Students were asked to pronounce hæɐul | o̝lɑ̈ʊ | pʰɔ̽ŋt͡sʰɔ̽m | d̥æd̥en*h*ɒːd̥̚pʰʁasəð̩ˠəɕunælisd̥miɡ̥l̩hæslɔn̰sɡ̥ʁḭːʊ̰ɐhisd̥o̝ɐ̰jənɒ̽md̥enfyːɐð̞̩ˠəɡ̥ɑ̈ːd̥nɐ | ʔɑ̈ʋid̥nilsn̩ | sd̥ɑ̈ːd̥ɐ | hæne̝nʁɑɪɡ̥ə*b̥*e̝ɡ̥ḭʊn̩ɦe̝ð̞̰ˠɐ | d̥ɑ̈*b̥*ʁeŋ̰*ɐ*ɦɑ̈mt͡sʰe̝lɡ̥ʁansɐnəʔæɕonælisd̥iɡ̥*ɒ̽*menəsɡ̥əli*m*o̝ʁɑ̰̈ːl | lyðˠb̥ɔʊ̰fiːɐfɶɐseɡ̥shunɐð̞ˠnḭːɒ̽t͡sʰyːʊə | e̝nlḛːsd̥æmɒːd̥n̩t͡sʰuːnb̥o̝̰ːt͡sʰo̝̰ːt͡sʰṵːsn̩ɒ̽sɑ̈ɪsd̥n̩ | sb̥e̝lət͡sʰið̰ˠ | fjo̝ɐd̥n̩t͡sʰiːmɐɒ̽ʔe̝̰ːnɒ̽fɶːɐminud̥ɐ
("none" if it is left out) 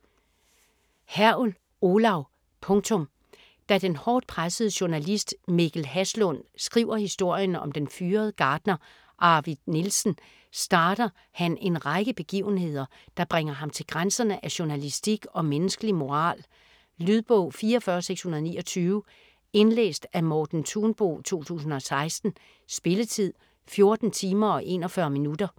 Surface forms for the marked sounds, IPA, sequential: h, b̥, b̥, ɐ, ɒ̽, m

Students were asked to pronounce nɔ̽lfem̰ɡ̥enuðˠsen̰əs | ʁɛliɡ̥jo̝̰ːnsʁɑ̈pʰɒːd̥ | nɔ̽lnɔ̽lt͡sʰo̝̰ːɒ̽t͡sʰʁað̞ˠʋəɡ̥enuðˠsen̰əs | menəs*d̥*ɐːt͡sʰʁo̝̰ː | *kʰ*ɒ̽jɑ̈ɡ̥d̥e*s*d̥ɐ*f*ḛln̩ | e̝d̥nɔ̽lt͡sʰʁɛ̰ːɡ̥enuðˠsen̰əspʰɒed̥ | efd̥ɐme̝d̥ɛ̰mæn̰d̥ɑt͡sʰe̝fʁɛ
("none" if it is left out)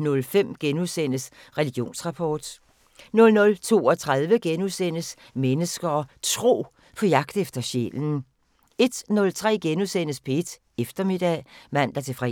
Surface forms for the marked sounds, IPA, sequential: ɡ̥, pʰ, f, ɕ

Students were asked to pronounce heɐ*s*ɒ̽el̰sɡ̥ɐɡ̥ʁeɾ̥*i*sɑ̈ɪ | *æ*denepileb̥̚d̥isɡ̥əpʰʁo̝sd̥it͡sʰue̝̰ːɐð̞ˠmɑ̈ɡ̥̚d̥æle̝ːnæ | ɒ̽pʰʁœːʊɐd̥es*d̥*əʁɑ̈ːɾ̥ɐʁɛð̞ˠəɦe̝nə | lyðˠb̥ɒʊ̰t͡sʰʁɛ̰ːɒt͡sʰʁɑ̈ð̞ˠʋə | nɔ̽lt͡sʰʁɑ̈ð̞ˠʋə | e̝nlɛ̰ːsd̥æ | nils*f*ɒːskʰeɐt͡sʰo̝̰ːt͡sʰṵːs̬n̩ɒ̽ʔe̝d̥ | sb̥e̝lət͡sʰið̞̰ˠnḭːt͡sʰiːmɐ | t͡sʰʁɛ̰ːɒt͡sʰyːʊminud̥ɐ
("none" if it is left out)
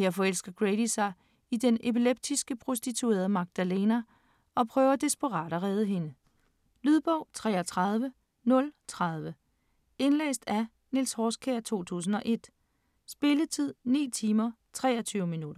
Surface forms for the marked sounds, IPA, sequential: f, i, i, b̥, h

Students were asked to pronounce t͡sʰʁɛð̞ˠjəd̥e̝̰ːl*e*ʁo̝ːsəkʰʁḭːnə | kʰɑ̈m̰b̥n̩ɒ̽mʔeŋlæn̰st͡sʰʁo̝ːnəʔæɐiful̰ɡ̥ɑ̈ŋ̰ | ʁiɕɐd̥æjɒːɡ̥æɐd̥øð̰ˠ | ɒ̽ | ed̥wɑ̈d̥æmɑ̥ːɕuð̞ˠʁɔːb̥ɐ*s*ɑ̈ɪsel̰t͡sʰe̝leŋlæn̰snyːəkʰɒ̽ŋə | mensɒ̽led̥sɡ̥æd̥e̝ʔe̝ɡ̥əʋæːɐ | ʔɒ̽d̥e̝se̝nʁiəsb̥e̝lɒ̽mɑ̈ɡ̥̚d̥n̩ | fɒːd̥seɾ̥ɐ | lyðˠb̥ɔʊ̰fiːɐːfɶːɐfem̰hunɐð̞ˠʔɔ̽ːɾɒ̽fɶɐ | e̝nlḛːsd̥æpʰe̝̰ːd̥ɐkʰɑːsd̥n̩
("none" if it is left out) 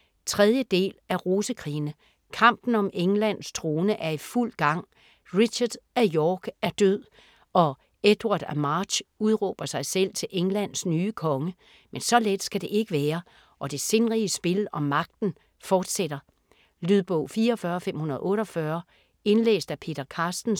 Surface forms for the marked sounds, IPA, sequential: æ, s

